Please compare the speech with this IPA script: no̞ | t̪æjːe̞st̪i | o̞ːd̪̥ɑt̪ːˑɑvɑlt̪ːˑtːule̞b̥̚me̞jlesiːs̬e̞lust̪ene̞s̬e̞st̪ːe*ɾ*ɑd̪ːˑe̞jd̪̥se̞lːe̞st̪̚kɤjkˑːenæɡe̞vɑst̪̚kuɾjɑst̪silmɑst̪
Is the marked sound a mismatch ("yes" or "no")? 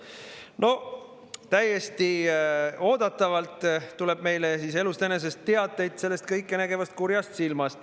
yes